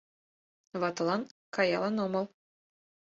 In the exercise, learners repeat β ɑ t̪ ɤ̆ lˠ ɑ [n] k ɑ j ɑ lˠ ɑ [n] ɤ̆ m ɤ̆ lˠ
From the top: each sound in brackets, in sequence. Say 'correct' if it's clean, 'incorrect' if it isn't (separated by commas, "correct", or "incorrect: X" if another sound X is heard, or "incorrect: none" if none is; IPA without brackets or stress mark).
correct, correct